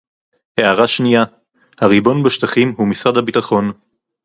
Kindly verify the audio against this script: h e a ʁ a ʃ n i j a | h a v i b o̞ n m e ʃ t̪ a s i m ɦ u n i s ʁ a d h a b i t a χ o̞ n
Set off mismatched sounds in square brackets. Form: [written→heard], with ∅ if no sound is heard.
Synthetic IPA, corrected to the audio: h e a ʁ a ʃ n i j a | h a [v→ʁ] i b o̞ n [m→b] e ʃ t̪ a [s→χ] i m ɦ u [n→m] i s ʁ a d h a b i t a χ o̞ n